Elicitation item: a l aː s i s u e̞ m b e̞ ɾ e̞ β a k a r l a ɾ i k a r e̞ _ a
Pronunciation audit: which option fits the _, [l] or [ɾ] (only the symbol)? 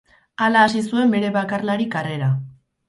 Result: ɾ